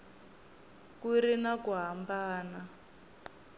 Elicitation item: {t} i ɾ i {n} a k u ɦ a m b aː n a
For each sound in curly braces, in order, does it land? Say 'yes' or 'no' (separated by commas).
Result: no, yes